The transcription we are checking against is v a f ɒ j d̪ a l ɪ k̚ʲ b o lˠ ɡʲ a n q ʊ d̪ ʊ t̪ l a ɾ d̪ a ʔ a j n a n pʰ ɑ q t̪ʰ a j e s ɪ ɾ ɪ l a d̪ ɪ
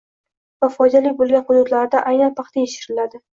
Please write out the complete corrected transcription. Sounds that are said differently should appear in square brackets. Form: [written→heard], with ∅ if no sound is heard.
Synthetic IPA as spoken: v a f ɒ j d̪ a l ɪ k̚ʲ b o lˠ ɡʲ a n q ʊ d̪ ʊ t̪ l a ɾ d̪ a ʔ a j n a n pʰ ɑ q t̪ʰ a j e [s→ʃ] ɪ ɾ ɪ l a d̪ ɪ